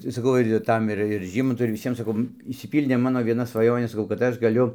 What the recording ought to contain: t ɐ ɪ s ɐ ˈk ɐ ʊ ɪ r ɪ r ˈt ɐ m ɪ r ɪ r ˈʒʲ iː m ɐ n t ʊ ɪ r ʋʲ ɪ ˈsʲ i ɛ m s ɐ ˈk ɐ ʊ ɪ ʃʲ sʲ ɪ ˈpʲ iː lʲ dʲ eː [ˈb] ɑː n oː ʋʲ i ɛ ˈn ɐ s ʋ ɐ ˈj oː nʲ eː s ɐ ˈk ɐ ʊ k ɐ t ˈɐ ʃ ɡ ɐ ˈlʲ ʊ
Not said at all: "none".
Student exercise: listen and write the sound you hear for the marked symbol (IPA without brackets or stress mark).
m